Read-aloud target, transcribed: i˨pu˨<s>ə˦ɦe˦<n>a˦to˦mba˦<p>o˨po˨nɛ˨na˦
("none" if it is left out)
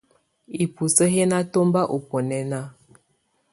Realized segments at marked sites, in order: s, n, ʔ

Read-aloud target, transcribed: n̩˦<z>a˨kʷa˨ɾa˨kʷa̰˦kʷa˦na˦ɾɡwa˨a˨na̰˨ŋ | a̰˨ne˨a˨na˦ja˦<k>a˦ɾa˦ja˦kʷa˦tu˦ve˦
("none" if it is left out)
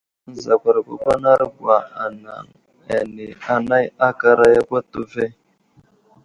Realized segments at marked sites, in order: z, k

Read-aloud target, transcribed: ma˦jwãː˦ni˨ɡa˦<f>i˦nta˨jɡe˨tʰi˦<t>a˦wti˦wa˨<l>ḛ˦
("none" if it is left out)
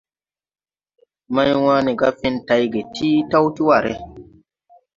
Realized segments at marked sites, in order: f, t, ɾ

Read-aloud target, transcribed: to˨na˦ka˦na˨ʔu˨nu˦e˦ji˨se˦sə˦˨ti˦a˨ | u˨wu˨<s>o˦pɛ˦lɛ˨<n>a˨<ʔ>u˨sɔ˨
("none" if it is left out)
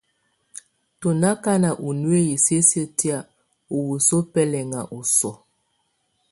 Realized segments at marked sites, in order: s, ŋ, ʔ

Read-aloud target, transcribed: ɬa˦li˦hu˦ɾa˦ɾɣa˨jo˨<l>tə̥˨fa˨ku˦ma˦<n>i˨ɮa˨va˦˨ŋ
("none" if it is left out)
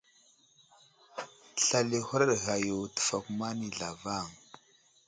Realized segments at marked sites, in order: none, n

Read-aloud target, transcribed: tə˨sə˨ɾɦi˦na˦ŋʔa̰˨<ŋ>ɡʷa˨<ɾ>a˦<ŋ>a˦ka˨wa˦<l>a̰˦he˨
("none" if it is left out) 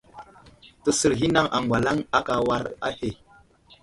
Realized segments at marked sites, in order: ŋ, l, ŋ, ɾ

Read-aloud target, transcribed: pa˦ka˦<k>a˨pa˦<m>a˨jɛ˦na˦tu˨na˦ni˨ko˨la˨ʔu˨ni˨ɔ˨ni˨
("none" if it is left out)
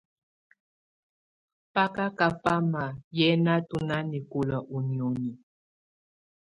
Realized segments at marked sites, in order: k, m

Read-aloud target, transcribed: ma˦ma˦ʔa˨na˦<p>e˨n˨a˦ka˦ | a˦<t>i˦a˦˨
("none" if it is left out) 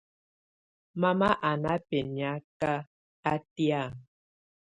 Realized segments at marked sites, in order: p, t

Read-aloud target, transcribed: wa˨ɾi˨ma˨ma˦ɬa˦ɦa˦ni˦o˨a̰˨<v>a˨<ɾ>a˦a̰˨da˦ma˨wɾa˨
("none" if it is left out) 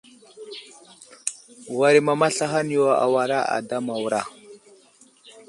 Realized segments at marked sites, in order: w, ɾ

